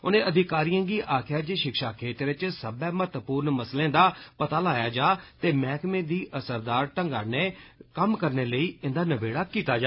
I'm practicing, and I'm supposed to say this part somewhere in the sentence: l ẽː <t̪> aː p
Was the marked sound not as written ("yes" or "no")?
yes